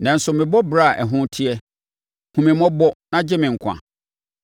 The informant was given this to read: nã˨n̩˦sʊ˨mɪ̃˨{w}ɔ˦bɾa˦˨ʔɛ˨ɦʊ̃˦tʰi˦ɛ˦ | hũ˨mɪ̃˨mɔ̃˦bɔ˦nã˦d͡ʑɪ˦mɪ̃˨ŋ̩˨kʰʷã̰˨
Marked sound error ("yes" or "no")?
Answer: yes